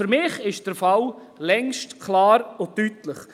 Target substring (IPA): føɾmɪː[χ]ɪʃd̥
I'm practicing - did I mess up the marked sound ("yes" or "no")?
no